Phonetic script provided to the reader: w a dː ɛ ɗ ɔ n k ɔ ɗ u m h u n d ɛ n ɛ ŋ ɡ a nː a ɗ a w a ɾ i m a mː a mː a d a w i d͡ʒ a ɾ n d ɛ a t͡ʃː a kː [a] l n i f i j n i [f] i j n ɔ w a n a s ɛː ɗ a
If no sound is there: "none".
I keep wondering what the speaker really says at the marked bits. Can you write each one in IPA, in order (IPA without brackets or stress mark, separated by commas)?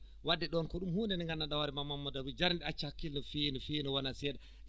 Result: i, f